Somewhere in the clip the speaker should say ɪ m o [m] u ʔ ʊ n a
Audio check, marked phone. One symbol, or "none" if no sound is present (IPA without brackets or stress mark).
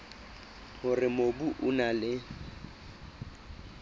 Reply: b